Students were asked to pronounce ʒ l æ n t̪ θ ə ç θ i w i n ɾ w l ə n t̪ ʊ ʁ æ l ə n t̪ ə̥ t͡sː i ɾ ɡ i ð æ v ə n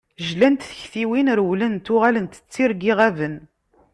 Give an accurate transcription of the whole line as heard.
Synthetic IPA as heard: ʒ l æ n t̪ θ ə ç θ i w i n ɾ w l ə n t̪ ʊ ʁ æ l ə n t̪ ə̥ t͡sː i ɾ ɡ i ʁ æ v ə n